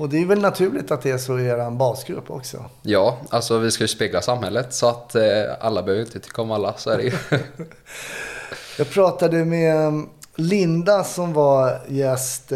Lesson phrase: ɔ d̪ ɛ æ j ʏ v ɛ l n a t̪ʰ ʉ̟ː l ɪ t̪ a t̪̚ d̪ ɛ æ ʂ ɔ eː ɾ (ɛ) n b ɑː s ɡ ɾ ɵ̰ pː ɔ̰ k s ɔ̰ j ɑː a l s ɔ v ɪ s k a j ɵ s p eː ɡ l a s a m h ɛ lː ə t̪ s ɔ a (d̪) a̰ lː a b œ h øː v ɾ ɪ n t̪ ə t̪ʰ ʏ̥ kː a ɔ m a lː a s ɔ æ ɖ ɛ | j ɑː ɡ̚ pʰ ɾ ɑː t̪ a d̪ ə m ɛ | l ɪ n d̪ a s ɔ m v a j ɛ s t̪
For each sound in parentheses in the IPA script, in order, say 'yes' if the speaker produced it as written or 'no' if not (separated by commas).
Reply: no, no